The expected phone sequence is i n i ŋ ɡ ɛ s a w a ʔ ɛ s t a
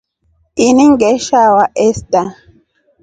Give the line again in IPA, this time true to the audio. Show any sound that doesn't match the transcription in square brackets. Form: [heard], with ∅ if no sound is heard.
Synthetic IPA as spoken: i n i ŋ ɡ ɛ [ʃ] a w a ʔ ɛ s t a